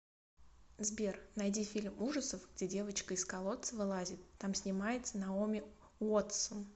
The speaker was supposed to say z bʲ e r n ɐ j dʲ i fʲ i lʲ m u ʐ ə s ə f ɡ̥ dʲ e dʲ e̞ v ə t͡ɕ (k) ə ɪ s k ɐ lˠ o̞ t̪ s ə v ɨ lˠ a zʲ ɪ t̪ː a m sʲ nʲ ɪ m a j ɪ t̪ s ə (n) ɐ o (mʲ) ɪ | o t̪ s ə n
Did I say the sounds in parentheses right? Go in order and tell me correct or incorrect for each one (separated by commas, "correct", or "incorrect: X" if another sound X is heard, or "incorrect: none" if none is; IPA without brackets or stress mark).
correct, correct, correct